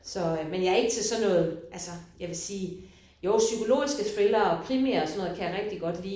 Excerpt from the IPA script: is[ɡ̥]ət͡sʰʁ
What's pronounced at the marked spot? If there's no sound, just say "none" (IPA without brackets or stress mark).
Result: ɡ̥